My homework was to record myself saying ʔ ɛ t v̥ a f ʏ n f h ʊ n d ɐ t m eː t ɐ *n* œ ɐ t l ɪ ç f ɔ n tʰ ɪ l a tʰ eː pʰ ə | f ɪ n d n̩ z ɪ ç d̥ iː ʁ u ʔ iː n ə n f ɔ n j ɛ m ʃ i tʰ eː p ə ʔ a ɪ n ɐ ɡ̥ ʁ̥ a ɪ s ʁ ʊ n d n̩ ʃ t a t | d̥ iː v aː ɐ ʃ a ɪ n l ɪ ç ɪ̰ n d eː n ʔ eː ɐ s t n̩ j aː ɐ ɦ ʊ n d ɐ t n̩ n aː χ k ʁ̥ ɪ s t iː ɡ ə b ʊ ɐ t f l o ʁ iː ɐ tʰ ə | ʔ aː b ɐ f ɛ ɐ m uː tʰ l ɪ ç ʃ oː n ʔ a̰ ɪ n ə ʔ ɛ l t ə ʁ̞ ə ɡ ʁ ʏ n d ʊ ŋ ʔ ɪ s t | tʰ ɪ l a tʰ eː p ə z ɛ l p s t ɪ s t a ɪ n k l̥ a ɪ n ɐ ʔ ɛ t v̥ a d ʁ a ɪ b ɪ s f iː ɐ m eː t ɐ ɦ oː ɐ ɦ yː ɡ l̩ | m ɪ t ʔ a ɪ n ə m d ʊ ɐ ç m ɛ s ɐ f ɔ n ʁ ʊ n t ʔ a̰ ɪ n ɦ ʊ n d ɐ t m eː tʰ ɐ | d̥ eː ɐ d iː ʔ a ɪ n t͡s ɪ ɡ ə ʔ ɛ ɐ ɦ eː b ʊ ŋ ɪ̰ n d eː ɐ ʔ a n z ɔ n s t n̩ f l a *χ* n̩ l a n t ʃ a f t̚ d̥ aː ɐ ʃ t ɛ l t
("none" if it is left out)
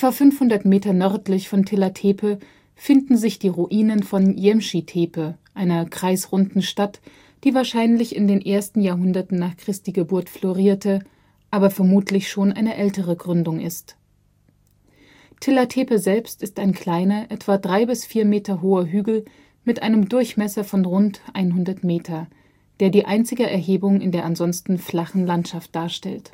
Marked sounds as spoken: n, χ

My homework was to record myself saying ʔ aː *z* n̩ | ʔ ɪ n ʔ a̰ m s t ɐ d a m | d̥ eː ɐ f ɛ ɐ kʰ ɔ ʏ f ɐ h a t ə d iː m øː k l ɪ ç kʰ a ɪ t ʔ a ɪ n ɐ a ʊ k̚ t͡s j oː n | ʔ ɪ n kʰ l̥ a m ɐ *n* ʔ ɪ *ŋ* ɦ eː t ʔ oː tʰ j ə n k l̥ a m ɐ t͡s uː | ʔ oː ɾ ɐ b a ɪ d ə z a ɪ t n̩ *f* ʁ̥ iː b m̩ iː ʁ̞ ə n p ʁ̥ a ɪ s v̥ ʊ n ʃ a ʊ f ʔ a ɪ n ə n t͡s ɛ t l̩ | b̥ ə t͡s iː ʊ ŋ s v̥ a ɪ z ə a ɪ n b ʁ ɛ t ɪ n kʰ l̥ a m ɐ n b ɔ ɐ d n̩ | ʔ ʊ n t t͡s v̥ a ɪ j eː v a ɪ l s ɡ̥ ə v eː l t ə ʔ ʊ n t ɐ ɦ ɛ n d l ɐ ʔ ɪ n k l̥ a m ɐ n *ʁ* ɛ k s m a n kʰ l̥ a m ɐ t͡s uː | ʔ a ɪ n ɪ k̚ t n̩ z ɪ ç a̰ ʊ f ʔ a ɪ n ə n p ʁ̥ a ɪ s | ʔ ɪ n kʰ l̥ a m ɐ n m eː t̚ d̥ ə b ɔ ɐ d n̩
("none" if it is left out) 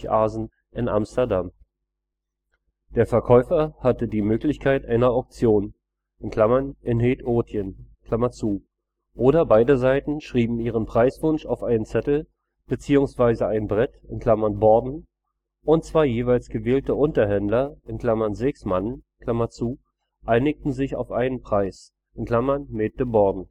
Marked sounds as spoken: z, n, n, ʃ, z

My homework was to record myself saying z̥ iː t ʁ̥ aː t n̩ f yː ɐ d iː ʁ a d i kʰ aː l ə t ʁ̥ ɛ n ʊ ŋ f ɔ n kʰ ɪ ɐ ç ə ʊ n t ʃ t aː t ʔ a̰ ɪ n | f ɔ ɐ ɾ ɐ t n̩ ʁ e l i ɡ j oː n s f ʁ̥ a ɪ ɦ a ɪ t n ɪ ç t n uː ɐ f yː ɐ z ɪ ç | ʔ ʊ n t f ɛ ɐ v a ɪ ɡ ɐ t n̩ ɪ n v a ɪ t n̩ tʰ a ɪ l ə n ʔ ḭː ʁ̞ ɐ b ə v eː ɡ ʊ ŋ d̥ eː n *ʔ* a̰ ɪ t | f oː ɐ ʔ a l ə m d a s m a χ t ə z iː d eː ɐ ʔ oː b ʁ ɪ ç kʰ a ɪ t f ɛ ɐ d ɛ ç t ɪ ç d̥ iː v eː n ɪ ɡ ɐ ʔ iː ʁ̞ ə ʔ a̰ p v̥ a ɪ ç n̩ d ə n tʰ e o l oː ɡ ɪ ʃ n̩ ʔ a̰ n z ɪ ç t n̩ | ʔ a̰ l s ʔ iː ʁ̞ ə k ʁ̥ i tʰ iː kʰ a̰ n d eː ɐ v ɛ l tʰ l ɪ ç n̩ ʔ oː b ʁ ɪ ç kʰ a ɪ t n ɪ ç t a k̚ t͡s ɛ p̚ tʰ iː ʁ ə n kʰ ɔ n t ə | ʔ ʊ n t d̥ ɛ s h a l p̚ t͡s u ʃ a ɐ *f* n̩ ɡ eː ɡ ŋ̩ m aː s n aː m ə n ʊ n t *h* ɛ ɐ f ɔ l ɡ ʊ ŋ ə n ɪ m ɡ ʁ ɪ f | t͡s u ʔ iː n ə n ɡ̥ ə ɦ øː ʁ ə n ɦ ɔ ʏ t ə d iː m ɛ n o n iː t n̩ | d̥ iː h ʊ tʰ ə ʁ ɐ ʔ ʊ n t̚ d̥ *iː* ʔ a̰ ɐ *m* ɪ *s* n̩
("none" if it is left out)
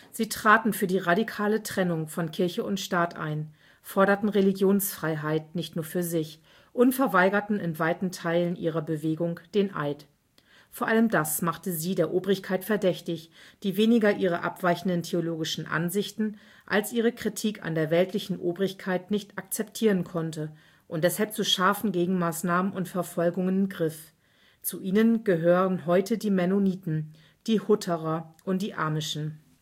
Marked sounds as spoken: ʔ, f, f, iː, m, ʃ

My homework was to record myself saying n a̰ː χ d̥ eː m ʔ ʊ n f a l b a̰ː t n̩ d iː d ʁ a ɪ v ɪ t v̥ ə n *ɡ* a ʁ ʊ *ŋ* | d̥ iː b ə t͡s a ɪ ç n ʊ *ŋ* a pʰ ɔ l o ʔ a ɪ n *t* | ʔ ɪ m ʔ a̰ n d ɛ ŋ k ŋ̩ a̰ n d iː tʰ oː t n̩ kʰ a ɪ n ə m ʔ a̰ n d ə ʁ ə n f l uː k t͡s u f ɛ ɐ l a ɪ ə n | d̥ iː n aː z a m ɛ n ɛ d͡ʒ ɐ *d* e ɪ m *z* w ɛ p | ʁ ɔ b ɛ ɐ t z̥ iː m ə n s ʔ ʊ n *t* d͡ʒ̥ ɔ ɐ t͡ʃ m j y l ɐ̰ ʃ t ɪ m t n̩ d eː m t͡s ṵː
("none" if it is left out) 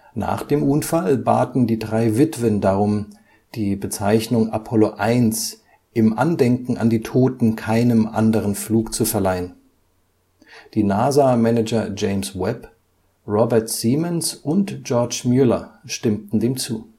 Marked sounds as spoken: d, m, ŋ, s, d͡ʒ, s, t

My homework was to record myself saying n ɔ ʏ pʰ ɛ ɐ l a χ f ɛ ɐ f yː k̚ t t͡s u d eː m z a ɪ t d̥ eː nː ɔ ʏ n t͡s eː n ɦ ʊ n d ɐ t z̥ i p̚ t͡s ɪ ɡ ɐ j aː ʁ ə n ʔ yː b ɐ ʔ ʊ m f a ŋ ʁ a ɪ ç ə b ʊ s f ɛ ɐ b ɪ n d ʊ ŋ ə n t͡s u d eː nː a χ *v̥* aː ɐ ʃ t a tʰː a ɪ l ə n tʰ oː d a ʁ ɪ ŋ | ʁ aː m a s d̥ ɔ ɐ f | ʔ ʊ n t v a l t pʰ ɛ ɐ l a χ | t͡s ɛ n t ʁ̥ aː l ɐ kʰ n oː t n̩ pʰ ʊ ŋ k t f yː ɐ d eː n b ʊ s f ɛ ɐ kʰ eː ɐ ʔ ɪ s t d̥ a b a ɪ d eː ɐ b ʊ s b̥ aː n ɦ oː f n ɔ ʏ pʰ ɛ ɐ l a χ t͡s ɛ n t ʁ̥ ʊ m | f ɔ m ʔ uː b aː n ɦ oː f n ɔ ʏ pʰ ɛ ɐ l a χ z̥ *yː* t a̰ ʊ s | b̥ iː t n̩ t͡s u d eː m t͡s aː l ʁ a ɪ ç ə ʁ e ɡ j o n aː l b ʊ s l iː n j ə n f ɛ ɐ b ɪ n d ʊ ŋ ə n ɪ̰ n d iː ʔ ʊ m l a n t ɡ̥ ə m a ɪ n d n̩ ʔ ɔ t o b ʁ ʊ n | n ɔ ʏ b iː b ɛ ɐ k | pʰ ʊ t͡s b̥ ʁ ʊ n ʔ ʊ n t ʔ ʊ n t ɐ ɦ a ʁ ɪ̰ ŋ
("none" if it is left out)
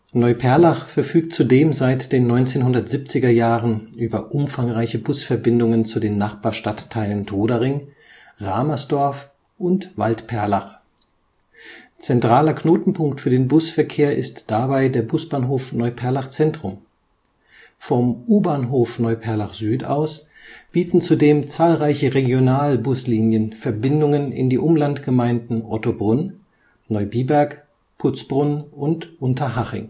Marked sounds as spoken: b̥, yː

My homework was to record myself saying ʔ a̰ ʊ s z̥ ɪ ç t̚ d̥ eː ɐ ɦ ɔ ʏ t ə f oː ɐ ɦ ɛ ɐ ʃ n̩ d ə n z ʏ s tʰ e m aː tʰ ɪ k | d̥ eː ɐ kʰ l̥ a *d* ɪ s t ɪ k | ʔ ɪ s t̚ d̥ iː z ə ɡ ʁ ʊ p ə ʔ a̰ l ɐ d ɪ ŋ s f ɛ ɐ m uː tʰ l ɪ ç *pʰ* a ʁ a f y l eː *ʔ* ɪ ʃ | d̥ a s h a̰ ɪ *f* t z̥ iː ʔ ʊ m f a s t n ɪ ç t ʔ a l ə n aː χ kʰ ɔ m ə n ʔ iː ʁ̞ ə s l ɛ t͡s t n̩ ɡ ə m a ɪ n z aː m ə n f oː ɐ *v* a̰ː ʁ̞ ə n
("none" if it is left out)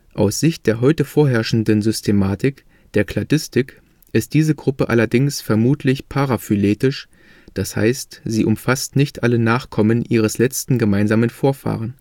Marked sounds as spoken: d, pʰ, t, s, f

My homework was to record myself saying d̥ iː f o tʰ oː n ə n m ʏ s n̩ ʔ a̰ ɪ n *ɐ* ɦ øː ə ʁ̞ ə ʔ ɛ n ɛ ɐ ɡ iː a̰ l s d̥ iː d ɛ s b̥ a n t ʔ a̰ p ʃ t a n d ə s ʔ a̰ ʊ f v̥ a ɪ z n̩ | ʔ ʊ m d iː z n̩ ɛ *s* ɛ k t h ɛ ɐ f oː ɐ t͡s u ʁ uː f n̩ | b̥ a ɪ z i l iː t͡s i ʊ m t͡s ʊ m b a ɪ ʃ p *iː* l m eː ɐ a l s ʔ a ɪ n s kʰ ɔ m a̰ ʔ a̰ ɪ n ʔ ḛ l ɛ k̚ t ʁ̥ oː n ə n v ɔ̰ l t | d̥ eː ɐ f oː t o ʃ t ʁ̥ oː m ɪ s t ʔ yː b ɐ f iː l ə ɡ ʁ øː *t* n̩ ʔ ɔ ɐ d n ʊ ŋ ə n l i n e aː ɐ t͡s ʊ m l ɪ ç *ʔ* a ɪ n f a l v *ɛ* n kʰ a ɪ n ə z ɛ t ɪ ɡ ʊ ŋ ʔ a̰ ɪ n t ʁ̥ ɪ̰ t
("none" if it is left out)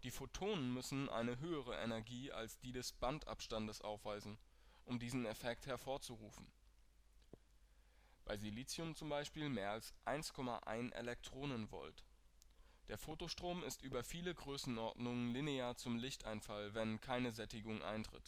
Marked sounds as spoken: ə, f, iː, s, t, ɛ

